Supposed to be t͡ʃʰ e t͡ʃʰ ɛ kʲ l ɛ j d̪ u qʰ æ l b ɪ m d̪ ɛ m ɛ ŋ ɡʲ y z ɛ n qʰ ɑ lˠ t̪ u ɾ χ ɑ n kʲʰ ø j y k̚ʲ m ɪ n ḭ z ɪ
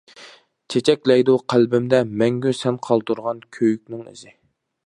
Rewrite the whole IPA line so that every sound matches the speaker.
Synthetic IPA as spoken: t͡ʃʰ e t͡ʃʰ ɛ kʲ l ɛ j d̪ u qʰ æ l b ɪ m d̪ ɛ m ɛ ŋ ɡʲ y s ɛ n qʰ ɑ lˠ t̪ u ɾ ʁ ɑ n kʲʰ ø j y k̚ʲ n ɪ ŋ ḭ z ɪ